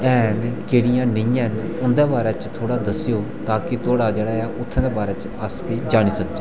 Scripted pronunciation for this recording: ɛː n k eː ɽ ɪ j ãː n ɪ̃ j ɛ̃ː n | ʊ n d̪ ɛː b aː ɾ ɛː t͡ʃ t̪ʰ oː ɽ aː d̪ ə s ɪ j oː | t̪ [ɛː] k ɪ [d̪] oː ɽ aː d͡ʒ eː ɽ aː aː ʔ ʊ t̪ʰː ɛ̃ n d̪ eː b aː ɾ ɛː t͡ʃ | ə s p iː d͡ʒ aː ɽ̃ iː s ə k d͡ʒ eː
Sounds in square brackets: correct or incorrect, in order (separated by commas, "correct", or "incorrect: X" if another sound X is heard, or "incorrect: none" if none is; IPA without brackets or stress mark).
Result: incorrect: aː, incorrect: t̪